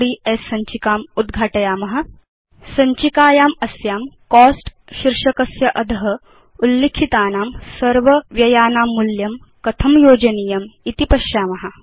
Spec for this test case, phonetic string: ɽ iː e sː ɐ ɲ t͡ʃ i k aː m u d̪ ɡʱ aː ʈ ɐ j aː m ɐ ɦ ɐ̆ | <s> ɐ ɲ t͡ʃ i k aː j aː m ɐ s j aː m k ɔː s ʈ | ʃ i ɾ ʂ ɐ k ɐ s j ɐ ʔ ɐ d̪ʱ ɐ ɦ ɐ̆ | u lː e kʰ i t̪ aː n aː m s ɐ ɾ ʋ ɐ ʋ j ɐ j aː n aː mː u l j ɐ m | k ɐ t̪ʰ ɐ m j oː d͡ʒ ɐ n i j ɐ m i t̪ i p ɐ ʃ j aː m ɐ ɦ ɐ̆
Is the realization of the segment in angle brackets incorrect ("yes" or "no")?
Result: no